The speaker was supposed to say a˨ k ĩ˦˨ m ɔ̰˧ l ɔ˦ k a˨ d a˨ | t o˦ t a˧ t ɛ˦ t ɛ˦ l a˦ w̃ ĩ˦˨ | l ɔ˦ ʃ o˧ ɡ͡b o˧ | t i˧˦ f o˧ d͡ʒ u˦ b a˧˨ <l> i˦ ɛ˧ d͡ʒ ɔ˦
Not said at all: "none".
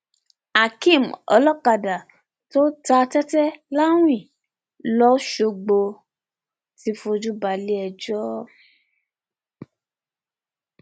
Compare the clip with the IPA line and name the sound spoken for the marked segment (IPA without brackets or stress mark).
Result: l